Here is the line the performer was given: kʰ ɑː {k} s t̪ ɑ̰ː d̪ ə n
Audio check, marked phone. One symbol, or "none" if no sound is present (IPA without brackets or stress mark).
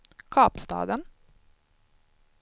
p